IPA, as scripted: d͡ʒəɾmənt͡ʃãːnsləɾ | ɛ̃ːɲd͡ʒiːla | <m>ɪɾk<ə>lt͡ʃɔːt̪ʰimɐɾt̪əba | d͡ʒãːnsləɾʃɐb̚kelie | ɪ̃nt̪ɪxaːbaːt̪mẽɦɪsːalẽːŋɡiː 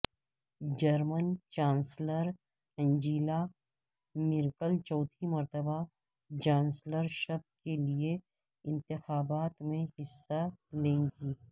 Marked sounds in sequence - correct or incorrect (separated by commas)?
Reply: correct, correct